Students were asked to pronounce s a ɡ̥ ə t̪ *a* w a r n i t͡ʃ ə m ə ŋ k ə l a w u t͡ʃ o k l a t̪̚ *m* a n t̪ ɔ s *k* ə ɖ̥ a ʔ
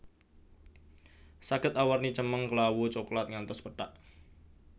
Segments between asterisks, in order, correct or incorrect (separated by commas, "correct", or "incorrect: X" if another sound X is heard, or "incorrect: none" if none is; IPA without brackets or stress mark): correct, incorrect: ŋ, incorrect: p